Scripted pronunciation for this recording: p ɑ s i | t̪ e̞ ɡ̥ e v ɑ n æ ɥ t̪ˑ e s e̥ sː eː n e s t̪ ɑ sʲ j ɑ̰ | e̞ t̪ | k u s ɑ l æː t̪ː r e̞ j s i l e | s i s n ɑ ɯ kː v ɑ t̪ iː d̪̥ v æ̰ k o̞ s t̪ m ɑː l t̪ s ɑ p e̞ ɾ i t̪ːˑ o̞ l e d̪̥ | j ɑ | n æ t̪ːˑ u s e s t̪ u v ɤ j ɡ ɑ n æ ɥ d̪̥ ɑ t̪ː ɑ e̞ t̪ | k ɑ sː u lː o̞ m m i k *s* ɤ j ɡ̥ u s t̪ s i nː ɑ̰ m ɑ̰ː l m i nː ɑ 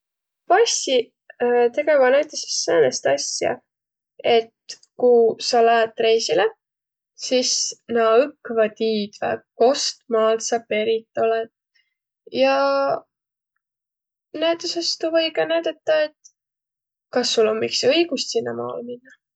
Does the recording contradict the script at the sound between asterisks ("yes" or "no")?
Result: no